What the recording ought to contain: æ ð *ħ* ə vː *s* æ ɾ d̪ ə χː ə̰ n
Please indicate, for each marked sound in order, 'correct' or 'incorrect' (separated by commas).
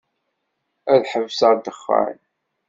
correct, correct